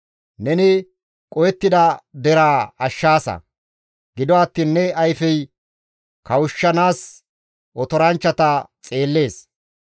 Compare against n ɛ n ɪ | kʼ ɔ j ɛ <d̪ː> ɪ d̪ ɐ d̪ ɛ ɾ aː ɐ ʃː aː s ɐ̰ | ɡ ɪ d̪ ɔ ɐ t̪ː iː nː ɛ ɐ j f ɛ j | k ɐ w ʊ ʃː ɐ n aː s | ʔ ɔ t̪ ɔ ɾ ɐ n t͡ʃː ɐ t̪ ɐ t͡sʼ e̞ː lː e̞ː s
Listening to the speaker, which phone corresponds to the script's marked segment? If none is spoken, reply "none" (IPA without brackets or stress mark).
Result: t̪ː